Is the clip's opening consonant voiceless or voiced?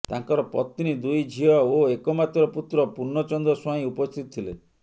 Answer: voiceless